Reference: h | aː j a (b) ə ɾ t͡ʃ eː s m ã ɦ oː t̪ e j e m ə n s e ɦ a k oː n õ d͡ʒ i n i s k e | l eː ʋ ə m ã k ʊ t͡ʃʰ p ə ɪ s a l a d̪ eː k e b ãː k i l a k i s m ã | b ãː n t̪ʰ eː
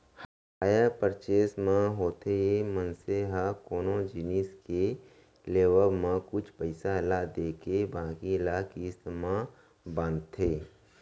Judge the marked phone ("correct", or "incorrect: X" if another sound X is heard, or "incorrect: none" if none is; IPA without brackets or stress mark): incorrect: p